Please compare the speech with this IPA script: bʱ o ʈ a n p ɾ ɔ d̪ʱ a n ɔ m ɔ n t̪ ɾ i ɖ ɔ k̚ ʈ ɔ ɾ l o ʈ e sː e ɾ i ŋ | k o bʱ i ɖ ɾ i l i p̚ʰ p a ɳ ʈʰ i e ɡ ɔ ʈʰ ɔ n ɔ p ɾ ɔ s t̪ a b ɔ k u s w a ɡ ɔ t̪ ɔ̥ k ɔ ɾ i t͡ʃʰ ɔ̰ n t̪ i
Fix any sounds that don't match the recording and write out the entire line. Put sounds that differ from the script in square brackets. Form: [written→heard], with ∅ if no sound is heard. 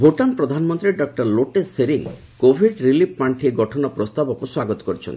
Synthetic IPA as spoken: bʱ o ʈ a n p ɾ ɔ d̪ʱ a n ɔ m ɔ n t̪ ɾ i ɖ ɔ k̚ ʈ ɔ ɾ l o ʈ e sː e ɾ i ŋ | k o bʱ i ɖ ɾ i l i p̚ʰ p a ɳ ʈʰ i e ɡ ɔ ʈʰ ɔ n ɔ p ɾ ɔ s t̪ a b ɔ k u s w a ɡ ɔ t̪ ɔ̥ k ɔ ɾ i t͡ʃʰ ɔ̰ n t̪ i